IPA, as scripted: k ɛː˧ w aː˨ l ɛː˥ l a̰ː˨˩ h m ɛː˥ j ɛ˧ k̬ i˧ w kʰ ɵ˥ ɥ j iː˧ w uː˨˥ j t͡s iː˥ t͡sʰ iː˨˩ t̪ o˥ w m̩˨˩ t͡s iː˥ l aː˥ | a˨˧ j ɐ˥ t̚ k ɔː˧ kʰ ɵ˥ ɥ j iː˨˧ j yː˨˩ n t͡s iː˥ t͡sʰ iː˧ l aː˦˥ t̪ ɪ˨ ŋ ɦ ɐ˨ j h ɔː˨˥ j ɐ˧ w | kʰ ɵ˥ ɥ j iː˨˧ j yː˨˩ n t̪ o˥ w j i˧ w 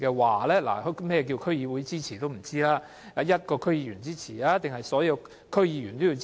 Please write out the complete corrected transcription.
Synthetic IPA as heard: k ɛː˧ w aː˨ l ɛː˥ l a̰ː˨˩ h m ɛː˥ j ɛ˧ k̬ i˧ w kʰ ɵ˥ ɥ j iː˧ w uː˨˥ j t͡s iː˥ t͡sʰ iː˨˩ t̪ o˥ w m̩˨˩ t͡s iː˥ l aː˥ | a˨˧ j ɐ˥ t̚ k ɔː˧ kʰ ɵ˥ ɥ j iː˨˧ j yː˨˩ n t͡s iː˥ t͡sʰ iː˨˩ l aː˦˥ t̪ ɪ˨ ŋ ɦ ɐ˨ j s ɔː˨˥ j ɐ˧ w | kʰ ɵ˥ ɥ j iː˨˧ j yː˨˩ n t̪ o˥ w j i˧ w